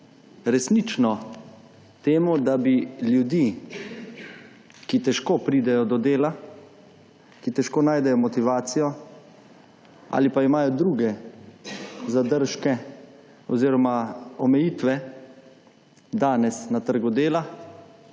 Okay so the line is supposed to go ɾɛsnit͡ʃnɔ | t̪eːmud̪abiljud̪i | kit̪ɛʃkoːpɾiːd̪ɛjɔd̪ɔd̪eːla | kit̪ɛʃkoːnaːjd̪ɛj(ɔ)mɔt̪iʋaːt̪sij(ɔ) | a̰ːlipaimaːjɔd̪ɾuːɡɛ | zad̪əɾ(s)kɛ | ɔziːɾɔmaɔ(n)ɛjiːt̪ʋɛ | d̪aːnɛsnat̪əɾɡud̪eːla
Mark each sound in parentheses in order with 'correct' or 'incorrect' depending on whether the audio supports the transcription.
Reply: correct, correct, incorrect, incorrect

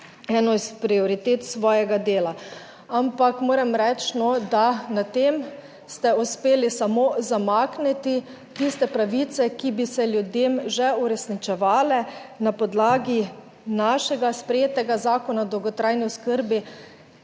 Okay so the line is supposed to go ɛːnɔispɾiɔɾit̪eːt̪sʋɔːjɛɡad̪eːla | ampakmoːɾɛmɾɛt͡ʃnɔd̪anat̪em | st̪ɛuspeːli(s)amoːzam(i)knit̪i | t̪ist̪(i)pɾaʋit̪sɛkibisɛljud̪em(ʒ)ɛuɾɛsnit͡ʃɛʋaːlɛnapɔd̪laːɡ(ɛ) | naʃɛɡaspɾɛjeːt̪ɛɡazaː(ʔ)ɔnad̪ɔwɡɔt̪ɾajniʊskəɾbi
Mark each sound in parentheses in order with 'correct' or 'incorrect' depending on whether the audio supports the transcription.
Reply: correct, incorrect, incorrect, correct, incorrect, incorrect

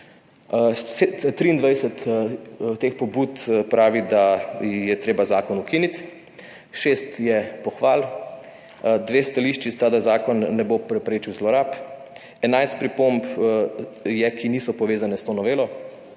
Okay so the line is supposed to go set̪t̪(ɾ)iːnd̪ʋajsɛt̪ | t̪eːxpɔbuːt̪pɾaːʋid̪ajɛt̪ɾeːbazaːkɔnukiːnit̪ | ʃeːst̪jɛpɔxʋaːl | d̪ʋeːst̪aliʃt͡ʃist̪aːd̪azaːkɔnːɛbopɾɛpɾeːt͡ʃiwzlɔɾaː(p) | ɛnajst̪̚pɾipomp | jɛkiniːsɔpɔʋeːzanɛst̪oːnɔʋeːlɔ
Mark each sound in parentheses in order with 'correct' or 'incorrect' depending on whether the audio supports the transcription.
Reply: correct, correct

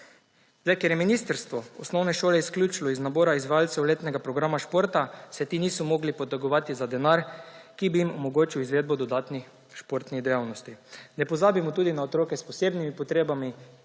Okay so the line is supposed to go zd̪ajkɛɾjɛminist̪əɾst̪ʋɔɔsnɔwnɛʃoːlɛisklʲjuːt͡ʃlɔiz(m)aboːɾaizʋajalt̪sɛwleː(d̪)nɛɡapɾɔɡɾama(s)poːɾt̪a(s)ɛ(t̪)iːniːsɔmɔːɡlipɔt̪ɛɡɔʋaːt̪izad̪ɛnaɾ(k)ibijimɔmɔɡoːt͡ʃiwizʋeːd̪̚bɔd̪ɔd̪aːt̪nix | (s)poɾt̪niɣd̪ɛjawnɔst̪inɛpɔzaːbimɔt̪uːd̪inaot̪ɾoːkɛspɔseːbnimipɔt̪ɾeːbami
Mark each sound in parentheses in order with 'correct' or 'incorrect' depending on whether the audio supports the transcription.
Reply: incorrect, incorrect, incorrect, correct, correct, correct, incorrect

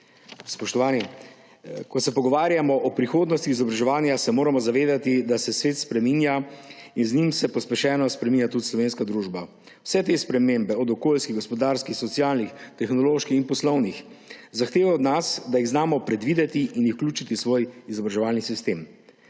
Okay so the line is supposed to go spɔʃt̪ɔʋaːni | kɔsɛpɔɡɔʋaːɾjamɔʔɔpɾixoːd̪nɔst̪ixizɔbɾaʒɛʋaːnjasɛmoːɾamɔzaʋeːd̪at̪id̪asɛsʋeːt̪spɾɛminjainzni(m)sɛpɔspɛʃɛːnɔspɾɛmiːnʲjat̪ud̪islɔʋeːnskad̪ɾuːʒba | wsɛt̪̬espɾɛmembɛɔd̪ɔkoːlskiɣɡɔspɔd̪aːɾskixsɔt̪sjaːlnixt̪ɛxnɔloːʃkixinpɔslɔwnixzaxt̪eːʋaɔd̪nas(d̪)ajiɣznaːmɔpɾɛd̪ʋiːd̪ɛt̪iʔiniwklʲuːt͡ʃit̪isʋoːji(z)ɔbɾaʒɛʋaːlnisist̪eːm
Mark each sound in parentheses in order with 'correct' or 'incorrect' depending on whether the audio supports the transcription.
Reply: correct, correct, correct

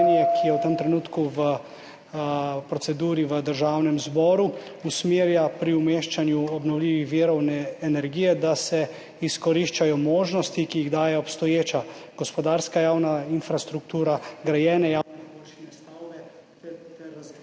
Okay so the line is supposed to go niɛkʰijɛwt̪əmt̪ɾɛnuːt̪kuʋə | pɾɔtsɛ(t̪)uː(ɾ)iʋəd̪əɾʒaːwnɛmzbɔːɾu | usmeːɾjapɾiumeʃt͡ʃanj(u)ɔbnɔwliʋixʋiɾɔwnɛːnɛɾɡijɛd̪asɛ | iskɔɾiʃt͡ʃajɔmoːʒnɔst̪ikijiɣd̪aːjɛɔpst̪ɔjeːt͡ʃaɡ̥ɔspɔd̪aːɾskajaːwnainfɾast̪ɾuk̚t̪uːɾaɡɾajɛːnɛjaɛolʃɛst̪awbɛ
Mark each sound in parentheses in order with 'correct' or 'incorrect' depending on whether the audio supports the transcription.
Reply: incorrect, correct, correct

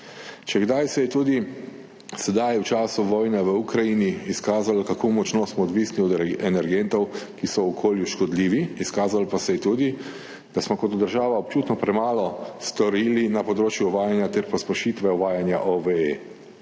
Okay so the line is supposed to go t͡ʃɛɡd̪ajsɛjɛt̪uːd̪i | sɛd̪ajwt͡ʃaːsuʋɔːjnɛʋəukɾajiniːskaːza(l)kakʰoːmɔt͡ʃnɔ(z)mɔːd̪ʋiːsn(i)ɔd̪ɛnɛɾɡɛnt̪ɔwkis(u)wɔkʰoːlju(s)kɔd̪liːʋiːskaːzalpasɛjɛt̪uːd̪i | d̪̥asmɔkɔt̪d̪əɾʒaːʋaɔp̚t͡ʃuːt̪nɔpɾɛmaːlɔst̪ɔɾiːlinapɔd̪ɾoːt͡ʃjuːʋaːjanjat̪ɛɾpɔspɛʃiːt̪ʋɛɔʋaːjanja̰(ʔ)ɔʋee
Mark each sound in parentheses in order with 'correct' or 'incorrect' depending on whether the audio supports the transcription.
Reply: correct, incorrect, correct, incorrect, incorrect, correct

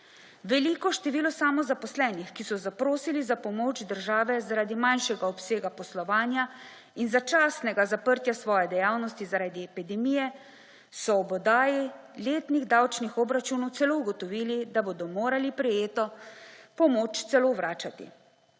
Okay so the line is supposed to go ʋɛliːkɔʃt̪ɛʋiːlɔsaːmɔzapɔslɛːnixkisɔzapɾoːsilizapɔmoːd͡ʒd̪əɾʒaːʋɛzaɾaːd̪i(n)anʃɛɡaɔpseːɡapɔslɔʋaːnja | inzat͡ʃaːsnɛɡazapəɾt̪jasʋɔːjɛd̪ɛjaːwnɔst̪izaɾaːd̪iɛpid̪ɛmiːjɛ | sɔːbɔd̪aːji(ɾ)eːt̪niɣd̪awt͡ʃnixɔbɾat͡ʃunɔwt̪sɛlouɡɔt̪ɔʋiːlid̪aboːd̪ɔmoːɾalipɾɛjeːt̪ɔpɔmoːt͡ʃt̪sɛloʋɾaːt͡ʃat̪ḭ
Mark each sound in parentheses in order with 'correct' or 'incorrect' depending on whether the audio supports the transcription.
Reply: incorrect, incorrect

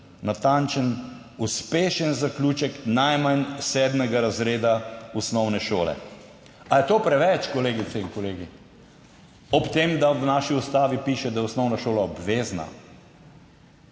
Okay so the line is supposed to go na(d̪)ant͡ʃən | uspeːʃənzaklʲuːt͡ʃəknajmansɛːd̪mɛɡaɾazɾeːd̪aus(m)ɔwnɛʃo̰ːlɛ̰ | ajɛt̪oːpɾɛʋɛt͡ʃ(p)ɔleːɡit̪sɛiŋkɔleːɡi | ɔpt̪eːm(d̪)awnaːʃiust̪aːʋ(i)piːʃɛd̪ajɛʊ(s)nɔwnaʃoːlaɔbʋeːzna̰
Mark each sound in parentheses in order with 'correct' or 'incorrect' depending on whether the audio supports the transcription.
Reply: incorrect, incorrect, incorrect, correct, correct, correct

